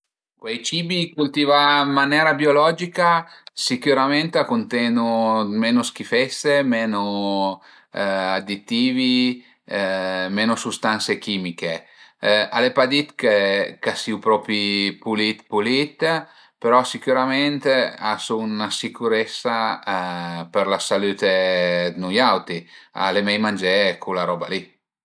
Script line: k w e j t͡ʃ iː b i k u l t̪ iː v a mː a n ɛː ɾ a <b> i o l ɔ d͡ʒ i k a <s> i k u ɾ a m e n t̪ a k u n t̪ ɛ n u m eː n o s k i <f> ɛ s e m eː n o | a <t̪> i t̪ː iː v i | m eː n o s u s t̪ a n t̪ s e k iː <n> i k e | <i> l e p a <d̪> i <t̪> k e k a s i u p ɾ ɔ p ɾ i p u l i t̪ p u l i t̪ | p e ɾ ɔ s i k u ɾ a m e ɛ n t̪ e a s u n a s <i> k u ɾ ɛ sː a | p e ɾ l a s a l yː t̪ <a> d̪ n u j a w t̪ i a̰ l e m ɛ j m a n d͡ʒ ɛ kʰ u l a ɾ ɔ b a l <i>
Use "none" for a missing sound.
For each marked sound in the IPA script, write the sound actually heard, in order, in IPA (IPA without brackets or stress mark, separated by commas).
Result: b, s, f, d̪, m, a, d̪, t̪, i, e, i